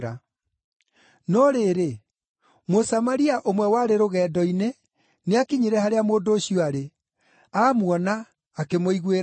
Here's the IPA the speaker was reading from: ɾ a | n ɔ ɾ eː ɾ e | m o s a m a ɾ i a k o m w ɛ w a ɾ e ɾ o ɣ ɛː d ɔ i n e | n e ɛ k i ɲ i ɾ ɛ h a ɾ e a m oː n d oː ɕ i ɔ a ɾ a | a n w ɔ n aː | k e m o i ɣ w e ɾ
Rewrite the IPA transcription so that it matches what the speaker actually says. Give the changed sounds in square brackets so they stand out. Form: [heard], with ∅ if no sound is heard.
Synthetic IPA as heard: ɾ a | n ɔ ɾ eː ɾ e | m o s a m a ɾ i a [ʔ] o m w ɛ w a ɾ e ɾ o ɣ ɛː d ɔ i n e | n e [a] k i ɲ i ɾ ɛ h a ɾ e a m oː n d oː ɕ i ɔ a ɾ [e] | a [m] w ɔ n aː | k e m o i ɣ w e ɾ

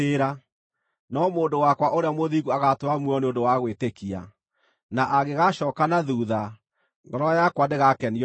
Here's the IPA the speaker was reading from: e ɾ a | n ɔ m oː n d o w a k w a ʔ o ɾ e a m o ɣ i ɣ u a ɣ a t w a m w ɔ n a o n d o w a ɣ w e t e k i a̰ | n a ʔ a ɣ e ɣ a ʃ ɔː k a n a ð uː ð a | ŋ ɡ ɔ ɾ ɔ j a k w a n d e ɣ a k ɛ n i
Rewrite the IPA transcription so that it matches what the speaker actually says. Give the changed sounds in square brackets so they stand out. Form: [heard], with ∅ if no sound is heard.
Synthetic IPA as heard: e ɾ a | n ɔ m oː n d o w a k w a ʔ o ɾ e a m o [ð] i ɣ u a ɣ a t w a m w ɔ n [e] o n d o w a ɣ w e t e k i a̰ | n a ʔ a ɣ e ɣ a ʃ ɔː k a n a ð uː ð a | ŋ ɡ ɔ ɾ ɔ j a k w a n d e ɣ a k ɛ n i

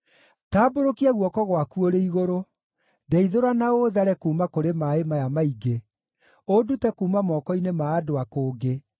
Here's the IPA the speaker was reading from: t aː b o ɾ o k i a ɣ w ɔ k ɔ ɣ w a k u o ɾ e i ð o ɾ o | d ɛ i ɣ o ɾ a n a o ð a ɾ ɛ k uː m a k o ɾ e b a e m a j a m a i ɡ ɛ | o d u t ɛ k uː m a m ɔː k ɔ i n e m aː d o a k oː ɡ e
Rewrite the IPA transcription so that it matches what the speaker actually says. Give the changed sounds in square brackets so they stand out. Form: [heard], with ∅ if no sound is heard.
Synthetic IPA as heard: t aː b o ɾ o k i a ɣ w ɔ k ɔ ɣ w a k u o ɾ e i [ɣ] o ɾ o | d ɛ i [ð] o ɾ a n a o ð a ɾ ɛ k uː m a k o ɾ e [m] a e m a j a m a i ɡ [e] | o d u t ɛ k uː m a m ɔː k ɔ i n e m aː d o a k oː ɡ e

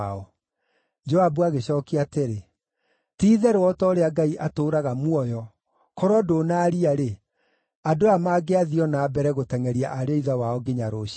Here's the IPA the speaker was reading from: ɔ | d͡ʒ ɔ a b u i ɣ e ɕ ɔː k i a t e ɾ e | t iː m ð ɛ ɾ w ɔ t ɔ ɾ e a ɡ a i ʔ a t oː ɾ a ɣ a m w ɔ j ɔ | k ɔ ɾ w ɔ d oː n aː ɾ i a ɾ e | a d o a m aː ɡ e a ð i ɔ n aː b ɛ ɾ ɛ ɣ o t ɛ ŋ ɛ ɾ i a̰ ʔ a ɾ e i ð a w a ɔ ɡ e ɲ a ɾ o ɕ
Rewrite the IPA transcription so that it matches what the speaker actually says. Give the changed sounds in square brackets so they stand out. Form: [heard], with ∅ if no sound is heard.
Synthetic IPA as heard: ɔ | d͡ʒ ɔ a b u [a] ɣ e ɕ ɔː k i a t e ɾ e | t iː [∅] ð ɛ ɾ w ɔ t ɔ ɾ e a ɡ a i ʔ a t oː ɾ a ɣ a m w ɔ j ɔ | k ɔ ɾ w ɔ d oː n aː ɾ i a ɾ e | a d o a m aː ɡ e a ð i ɔ n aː b ɛ ɾ ɛ ɣ o t ɛ ŋ ɛ ɾ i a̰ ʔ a ɾ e i ð a w a ɔ ɡ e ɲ a ɾ o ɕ

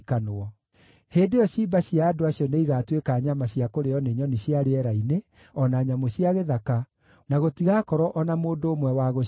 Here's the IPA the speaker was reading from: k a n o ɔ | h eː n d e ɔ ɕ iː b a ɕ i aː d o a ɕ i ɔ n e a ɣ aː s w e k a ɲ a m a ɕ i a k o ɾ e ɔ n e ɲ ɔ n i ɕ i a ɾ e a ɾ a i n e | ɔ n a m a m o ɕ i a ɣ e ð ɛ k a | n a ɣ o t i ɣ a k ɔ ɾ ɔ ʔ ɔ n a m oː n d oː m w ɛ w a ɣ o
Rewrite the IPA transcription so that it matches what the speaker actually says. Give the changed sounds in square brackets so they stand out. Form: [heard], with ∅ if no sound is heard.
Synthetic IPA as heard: k a n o ɔ | h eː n d e ɔ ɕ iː b a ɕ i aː d o a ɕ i ɔ n e [i] ɣ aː [t] w e k a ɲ a m a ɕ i a k o ɾ e ɔ n e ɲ ɔ n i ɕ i a ɾ e [ɛ] ɾ a i n e | ɔ n a [ɲ] a m o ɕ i a ɣ e ð [a] k a | n a ɣ o t i ɣ a k ɔ ɾ ɔ ʔ ɔ n a m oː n d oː m w ɛ w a ɣ o

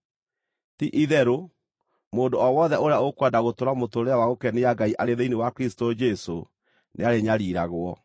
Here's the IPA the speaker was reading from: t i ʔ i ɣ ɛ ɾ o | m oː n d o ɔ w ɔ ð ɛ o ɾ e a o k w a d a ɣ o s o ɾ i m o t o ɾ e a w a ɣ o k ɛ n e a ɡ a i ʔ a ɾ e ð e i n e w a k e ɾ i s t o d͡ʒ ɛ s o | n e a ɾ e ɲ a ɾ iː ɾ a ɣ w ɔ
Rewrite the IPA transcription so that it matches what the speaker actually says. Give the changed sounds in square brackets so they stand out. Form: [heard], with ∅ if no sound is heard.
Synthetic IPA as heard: t i ʔ i [ð] ɛ ɾ o | m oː n d o ɔ w ɔ ð ɛ o ɾ e a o k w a d a ɣ o [t] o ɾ [a] m o t o ɾ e a w a ɣ o k ɛ n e a ɡ a i ʔ a ɾ e ð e i n e w a k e ɾ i s t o d͡ʒ ɛ s o | n e a ɾ e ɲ a ɾ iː ɾ a ɣ w ɔ

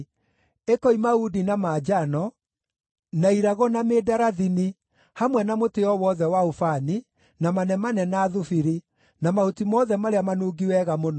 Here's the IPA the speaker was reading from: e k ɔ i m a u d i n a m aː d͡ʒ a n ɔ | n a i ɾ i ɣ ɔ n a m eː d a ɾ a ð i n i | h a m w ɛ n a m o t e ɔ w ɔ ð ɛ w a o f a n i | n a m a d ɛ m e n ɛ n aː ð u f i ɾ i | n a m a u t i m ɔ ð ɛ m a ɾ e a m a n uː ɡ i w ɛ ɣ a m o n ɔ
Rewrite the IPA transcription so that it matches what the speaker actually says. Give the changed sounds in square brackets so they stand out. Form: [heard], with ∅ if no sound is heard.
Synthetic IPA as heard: e k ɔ i m a u d i n a m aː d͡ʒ a n ɔ | n a i ɾ [a] ɣ ɔ n a m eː d a ɾ a ð i n i | h a m w ɛ n a m o t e ɔ w ɔ ð ɛ w a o f a n i | n a m a [n] ɛ m [a] n ɛ n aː ð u f i ɾ i | n a m a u t i m ɔ ð ɛ m a ɾ e a m a n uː ɡ i w ɛ ɣ a m o n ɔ

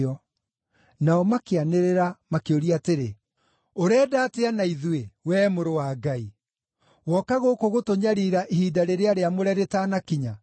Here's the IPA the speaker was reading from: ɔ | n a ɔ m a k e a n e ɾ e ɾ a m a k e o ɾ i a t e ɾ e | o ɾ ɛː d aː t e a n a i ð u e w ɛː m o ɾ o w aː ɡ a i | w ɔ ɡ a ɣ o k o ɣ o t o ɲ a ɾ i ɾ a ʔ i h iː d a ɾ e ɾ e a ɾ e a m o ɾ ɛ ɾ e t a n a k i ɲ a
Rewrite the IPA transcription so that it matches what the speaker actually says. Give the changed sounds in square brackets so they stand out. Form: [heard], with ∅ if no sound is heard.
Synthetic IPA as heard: ɔ | n a ɔ m a k e a n e ɾ e ɾ a m a k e o ɾ i a t e ɾ e | o ɾ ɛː d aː t e a n a i ð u e w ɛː m o ɾ o w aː ɡ a i | w ɔ [k] a ɣ o k o ɣ o t o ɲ a ɾ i ɾ a ʔ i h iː d a ɾ e ɾ e a ɾ e a m o ɾ ɛ ɾ e t a n a k i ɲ a

